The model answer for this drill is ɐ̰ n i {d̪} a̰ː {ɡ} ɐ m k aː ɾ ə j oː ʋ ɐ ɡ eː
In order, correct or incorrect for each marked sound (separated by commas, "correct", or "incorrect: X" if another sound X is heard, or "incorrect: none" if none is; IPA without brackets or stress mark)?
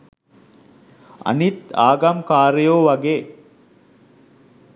incorrect: t̪, correct